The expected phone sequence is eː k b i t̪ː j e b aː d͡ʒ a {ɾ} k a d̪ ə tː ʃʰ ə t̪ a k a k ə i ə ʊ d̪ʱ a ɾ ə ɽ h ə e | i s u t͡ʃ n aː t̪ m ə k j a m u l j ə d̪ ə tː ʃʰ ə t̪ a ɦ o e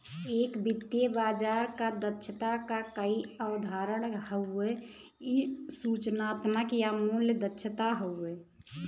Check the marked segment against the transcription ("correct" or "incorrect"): correct